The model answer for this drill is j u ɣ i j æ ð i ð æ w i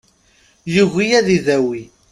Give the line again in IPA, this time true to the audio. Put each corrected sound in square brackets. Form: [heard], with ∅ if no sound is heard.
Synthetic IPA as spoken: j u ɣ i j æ ð i ð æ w i